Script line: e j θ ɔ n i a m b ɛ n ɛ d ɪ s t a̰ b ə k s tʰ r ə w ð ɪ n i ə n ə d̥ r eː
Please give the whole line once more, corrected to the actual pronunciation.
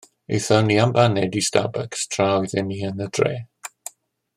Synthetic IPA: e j θ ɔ n i a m b a n ɛ d i s t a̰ b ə k s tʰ r a w ð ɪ n i ə n ə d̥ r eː